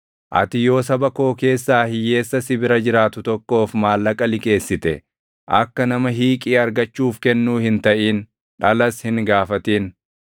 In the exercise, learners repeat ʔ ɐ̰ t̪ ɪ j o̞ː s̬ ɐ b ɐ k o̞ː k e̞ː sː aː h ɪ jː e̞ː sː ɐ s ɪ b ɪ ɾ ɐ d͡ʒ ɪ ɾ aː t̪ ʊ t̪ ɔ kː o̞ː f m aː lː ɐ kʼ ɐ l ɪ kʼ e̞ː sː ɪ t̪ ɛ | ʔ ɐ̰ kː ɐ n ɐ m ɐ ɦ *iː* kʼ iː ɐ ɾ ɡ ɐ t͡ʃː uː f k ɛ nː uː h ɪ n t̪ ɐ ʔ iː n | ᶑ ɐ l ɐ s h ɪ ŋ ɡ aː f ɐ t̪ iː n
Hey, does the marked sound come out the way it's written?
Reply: yes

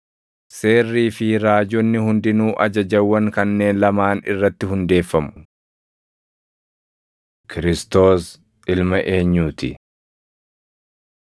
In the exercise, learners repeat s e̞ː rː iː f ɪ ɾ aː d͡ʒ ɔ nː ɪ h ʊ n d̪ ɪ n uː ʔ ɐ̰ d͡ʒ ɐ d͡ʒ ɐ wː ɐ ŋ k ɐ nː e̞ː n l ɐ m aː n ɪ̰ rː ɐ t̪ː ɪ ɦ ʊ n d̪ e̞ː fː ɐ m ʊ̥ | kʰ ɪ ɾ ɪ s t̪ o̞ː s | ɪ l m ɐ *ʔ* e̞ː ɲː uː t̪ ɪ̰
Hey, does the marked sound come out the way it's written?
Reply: yes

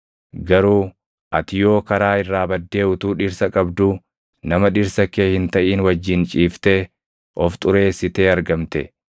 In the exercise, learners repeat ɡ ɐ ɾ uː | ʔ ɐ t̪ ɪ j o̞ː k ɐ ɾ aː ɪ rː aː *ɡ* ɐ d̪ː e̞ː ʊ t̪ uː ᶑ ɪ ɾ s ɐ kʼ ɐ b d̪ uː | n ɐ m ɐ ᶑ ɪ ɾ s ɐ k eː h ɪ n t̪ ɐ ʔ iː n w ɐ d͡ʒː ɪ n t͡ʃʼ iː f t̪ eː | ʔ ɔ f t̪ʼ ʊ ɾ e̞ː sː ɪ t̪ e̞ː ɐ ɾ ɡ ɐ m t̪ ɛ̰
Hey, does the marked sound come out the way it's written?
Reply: no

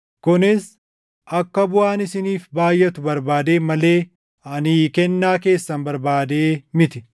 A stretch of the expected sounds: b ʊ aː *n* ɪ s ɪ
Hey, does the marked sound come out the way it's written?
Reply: yes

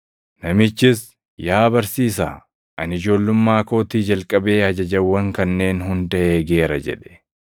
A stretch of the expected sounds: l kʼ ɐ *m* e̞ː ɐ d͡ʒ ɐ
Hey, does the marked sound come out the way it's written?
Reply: no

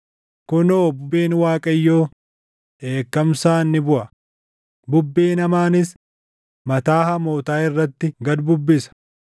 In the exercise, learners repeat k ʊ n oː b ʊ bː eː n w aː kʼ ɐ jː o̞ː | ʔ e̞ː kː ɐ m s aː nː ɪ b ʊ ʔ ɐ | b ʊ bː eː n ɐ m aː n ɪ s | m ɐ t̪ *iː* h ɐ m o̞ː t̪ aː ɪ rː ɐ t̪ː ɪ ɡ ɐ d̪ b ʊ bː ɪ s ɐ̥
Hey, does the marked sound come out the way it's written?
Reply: no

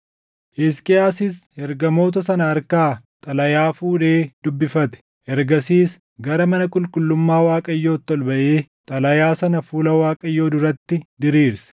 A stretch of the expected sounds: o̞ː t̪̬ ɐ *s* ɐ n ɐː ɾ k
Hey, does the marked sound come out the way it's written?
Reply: yes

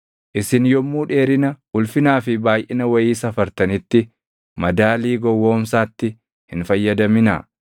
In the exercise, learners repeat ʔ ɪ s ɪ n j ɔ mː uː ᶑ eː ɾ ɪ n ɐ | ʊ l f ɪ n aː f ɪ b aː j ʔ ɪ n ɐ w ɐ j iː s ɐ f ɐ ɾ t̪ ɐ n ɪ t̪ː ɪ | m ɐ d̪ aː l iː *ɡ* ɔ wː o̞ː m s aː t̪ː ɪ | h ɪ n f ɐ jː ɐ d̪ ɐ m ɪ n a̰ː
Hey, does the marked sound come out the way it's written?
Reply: yes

